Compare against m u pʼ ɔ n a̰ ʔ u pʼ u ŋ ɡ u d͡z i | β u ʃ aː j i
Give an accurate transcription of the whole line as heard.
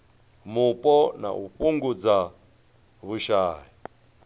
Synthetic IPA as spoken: m u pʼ ɔ n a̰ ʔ u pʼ u ŋ ɡ u d͡z a | β u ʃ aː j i

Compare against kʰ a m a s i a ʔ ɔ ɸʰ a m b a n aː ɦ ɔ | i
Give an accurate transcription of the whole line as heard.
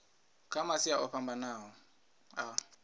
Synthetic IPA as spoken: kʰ a m a s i a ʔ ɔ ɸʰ a m b a n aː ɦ ɔ | a

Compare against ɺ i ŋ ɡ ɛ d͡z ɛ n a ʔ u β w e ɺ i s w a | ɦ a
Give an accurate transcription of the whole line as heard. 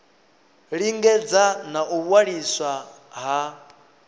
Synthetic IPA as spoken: ɺ i ŋ ɡ ɛ d͡z a n a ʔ u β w a ɺ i s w a | ɦ a

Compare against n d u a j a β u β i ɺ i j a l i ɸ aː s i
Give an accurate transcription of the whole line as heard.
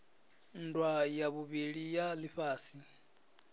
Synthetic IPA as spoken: n d w a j a β u β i ɺ i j a l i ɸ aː s i

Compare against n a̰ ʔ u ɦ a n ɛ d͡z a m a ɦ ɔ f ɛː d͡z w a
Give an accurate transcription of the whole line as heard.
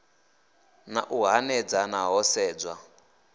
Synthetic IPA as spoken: n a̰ ʔ u ɦ a n ɛ d͡z a n a ɦ ɔ s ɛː d͡z w a

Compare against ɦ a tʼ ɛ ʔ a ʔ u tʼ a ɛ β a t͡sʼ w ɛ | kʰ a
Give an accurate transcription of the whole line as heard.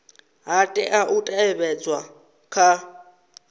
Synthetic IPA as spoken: ɦ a tʼ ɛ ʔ a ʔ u tʼ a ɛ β ɛ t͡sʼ w a | kʰ a

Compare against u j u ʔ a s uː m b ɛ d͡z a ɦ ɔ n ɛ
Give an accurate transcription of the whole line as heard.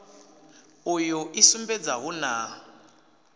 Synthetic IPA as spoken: u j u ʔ i s u m b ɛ d͡z a ɦ u n a

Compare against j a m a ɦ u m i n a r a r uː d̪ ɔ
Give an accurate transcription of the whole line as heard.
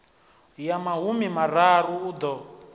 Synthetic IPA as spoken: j a m a ɦ u m i m a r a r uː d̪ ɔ

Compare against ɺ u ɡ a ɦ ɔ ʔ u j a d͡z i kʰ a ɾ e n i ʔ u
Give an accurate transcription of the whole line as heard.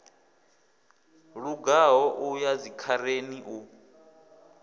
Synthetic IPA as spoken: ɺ u ɡ a ɦ ɔ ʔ u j a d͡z i kʰ a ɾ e n i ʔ u

